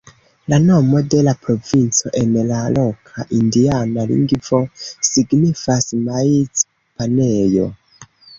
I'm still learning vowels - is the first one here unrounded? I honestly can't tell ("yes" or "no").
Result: yes